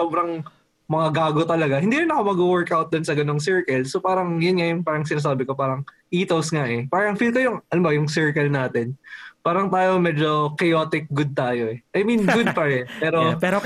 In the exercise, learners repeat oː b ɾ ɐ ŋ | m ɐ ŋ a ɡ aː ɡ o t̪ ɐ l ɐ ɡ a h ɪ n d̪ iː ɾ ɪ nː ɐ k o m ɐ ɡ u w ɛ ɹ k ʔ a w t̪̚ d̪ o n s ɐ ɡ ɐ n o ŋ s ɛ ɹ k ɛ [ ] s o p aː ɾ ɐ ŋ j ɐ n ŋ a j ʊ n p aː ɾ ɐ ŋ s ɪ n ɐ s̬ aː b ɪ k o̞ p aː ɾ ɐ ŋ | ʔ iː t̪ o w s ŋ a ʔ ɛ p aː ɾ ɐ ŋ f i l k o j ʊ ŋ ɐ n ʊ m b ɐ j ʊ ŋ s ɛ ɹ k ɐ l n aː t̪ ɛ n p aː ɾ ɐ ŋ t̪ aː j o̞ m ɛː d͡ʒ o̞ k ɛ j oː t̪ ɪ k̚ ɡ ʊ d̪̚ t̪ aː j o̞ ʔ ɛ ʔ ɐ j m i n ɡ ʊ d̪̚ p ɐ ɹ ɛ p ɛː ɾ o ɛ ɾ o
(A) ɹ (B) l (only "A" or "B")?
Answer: B